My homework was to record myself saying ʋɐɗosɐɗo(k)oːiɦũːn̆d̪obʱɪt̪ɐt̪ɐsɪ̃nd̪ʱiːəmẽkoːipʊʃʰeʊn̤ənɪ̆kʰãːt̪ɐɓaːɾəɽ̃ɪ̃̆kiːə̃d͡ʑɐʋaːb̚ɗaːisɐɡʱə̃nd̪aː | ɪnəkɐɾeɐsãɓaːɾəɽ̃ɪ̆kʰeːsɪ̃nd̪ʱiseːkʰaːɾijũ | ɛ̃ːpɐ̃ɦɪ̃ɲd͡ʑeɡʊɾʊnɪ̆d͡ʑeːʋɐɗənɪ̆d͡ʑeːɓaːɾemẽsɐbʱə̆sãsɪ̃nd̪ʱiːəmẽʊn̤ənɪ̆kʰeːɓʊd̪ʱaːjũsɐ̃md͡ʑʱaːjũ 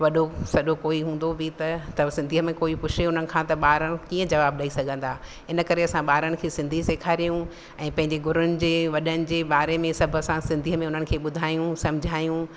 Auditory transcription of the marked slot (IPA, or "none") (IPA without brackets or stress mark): k